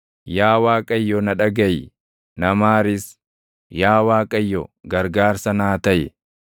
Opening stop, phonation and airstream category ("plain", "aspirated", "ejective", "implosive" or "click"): ejective